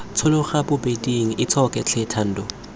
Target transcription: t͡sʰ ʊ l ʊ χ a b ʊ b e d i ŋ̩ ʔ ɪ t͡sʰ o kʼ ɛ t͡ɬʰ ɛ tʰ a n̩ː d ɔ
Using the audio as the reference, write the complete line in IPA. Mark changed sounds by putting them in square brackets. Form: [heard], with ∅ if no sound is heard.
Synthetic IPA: t͡sʰ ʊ l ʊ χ a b ʊ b e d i ŋ̩ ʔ ɪ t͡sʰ [ɔ] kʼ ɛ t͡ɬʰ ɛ tʰ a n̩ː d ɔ